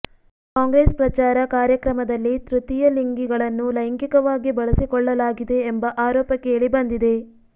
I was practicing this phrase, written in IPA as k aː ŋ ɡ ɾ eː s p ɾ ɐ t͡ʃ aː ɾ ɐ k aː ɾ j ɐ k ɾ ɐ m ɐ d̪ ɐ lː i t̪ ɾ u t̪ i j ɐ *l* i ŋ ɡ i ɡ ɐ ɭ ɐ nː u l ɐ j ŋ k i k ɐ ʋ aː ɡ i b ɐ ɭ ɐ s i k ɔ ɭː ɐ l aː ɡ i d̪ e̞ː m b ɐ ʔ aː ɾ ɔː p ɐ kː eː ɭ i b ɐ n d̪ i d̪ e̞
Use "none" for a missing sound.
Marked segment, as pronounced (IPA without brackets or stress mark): l